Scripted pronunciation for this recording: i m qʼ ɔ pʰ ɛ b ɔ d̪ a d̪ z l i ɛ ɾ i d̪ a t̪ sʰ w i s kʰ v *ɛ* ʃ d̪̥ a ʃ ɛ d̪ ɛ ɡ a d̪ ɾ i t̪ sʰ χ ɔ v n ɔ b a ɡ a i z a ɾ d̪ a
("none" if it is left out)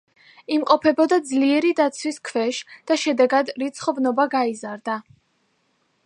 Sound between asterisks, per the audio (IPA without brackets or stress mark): ɛ